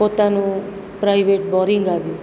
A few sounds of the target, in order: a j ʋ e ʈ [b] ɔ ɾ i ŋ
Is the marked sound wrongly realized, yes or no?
no